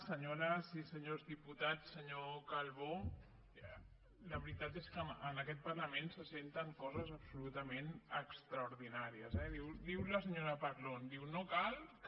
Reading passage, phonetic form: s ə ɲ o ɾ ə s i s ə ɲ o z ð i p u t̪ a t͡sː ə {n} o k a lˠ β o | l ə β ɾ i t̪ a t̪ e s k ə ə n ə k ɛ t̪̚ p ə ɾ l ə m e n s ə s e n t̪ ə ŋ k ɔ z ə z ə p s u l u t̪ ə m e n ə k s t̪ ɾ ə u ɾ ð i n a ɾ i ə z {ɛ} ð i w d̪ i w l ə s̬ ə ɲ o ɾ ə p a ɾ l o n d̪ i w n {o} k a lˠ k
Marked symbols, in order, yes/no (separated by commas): no, yes, yes